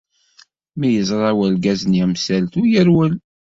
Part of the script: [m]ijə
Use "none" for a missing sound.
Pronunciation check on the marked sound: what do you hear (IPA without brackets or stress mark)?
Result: m